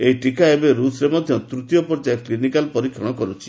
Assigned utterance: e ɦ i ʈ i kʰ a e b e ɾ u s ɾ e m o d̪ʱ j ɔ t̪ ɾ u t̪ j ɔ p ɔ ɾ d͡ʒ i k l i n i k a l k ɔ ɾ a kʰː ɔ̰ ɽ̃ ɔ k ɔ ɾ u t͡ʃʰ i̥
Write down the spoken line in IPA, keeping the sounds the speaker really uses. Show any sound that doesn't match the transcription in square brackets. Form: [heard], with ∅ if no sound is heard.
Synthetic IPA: e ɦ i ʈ i [k] a e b e ɾ u s ɾ e m [ɔ] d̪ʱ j ɔ t̪ ɾ u t̪ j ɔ p ɔ ɾ d͡ʒ [a] k l i n i k a l [p] ɔ ɾ [i] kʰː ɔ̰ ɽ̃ ɔ k ɔ ɾ u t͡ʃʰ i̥